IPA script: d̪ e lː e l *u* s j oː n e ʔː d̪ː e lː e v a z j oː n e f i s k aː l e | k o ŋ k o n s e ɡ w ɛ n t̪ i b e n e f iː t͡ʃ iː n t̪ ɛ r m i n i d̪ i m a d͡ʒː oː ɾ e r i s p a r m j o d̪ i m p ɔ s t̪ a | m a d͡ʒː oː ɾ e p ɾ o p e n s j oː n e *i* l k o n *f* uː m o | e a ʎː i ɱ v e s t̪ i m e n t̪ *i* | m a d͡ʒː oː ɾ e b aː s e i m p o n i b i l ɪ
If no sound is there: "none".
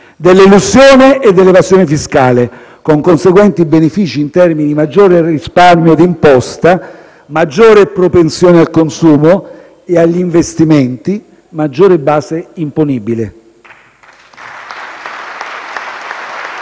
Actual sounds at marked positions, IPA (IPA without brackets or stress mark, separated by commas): u, a, s, i